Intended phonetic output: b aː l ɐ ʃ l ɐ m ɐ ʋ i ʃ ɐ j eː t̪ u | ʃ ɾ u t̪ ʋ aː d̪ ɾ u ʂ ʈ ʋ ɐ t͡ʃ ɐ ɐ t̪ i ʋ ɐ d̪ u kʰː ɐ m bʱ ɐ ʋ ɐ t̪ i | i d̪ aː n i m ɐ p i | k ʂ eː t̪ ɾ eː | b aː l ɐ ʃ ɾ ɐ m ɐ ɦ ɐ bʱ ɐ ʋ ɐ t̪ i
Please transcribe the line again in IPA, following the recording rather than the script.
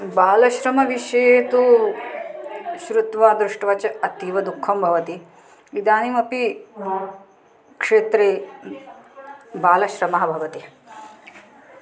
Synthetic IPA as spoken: b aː l ɐ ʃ ɾ ɐ m ɐ ʋ i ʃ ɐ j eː t̪ u | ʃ ɾ u t̪ ʋ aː d̪ ɾ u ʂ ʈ ʋ ɐ t͡ʃ ɐ ɐ t̪ i ʋ ɐ d̪ u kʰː ɐ m bʱ ɐ ʋ ɐ t̪ i | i d̪ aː n i m ɐ p i | k ʂ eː t̪ ɾ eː | b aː l ɐ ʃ ɾ ɐ m ɐ ɦ ɐ bʱ ɐ ʋ ɐ t̪ i